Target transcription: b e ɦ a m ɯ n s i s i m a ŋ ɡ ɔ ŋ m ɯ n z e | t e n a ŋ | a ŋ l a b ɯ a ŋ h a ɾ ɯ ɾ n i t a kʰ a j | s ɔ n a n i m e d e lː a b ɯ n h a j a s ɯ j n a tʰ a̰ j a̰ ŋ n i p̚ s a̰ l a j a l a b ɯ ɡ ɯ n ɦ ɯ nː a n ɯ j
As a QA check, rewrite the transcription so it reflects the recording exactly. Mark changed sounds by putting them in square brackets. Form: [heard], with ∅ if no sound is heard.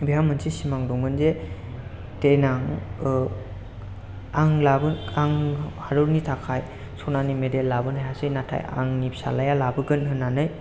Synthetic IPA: b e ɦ a m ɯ n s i s i m a ŋ [d] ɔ ŋ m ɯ n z e | t e n a ŋ | a ŋ l a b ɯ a ŋ h a ɾ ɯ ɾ n i [tʰ] a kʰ a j | s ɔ n a n i m e d e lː a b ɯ n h a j a s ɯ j n a tʰ a̰ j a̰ ŋ n i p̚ s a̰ l a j a l a b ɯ ɡ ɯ n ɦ ɯ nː a n ɯ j